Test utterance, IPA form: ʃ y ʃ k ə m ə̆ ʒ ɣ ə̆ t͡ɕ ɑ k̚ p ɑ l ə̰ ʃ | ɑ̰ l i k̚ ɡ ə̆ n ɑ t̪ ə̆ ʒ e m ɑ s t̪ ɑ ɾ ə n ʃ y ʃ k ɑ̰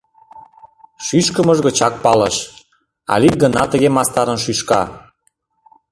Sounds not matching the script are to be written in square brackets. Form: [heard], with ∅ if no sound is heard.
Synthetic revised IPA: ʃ y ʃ k ə m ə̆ ʒ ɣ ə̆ t͡ɕ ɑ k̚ p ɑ l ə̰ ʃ | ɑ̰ l i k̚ ɡ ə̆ n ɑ t̪ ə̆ [ɣ] e m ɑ s t̪ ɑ ɾ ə n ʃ y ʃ k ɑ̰

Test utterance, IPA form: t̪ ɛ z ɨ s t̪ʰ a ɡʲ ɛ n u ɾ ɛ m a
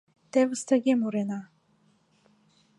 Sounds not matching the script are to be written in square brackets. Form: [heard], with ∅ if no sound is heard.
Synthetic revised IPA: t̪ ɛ [v] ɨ s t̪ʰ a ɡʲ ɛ [m] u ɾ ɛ [n] a

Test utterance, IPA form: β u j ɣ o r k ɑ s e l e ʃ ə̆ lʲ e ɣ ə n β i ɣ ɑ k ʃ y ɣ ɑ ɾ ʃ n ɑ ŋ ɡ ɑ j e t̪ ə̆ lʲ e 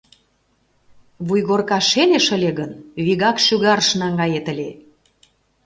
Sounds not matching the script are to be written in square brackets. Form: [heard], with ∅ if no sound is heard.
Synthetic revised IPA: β u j ɣ o r k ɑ [ʃ] e l e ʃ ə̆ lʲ e ɣ ə n β i ɣ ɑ k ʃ y ɣ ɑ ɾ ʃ n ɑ ŋ ɡ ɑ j e t̪ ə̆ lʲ e

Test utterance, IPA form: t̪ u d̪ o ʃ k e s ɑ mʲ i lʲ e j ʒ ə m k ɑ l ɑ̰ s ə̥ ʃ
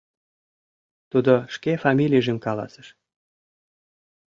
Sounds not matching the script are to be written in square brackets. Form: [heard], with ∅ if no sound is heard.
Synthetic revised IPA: t̪ u d̪ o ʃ k e [f] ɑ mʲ i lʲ [i] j ʒ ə m k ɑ l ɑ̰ s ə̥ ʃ

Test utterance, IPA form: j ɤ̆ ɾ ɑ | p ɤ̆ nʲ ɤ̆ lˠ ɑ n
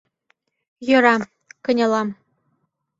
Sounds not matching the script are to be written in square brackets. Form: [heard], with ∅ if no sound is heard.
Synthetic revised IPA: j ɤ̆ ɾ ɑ | [k] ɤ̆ nʲ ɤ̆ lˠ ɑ [m]

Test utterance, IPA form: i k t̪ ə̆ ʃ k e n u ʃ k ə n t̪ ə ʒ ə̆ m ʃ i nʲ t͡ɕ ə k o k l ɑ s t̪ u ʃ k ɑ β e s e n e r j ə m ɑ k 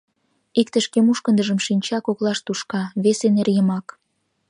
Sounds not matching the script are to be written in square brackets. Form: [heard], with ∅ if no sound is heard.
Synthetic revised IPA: i k t̪ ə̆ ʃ k e [m] u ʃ k ə n [d̪] ə ʒ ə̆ m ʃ i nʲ t͡ɕ [ɑ] k o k l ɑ [ʃ] t̪ u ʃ k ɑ β e s e n e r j ə m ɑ k

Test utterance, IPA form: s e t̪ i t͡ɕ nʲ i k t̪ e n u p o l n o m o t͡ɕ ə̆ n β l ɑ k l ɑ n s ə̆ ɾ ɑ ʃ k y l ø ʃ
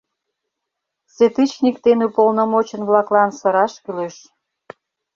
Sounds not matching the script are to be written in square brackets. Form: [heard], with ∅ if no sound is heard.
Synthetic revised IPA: s e t̪ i t͡ɕ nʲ i k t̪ e n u p o l n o m o t͡ɕ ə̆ n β l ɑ k l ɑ n s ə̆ ɾ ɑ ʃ k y l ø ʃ

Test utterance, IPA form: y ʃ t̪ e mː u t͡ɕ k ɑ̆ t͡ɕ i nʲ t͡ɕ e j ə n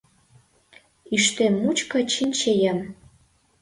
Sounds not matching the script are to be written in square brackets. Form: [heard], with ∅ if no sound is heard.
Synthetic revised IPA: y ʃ t̪ e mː u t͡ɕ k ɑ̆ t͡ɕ i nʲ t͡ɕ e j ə [m]

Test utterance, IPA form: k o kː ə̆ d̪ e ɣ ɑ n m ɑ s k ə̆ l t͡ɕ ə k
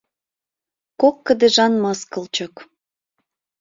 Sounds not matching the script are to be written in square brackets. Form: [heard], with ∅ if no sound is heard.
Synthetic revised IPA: k o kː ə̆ d̪ e [ʒ] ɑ n m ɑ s k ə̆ l t͡ɕ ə k

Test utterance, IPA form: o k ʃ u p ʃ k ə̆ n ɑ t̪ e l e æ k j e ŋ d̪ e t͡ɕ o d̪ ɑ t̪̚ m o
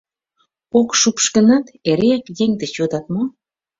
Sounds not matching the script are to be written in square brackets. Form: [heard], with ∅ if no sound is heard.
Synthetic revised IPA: o k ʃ u p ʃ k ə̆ n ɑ t̪ e [ɾ] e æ k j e ŋ d̪ e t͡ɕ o d̪ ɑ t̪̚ m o

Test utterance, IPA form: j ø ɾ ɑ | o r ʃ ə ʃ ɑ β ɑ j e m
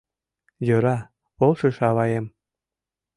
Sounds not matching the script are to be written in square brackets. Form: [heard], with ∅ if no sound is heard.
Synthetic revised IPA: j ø ɾ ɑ | o [l] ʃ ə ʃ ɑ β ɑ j e m

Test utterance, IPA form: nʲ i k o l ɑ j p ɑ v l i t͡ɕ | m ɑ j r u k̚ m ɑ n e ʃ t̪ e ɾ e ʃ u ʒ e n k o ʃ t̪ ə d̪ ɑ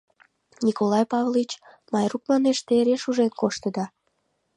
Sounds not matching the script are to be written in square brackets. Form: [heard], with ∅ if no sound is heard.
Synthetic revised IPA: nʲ i k o l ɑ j p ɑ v l i t͡ɕ | m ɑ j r u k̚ m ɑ n e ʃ t̪ e ɾ e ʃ u ʒ e n k o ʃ t̪ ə d̪ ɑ

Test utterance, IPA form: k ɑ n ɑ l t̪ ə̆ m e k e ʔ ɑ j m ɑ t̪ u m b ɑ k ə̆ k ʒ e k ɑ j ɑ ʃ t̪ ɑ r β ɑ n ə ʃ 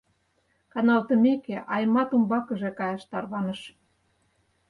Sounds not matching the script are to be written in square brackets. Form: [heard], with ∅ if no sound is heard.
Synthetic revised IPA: k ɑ n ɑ l t̪ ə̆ m e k e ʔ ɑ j m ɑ t̪ u m b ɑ k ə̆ [∅] ʒ e k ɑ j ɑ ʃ t̪ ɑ r β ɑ n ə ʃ

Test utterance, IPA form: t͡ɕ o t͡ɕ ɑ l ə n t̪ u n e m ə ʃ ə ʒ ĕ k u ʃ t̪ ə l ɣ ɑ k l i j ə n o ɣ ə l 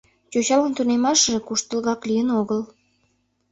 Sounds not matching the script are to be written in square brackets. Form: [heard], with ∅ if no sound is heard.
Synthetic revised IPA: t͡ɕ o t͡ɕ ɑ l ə n t̪ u n e m [ɑ] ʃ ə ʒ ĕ k u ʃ t̪ ə l ɣ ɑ k l i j ə n o ɣ ə l

